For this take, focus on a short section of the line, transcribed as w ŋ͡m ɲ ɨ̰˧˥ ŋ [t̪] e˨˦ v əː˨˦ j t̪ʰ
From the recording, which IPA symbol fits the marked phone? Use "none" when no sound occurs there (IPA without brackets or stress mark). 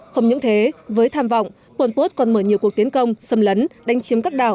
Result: t̪ʰ